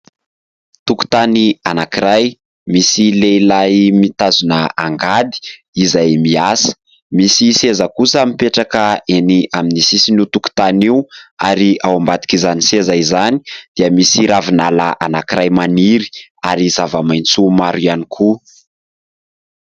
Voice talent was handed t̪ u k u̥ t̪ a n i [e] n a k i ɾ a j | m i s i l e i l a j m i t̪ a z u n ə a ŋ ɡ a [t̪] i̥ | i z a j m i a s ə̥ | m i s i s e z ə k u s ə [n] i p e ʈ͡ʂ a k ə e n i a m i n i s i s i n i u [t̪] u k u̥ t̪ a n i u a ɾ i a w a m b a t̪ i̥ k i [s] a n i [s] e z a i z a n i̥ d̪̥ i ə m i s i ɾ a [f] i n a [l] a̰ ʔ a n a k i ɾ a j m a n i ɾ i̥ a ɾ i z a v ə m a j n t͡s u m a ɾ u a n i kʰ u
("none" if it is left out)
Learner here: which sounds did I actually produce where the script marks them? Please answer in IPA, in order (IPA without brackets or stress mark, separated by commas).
a, d̪, m, t̪, z, s, v, l